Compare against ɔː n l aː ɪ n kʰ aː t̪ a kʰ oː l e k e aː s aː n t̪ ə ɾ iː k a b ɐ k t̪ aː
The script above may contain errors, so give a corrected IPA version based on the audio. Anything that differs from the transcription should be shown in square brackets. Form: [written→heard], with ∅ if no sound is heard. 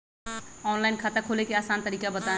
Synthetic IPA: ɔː n l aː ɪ n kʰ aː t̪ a kʰ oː l e k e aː s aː n t̪ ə ɾ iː k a b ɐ [k→∅] t̪ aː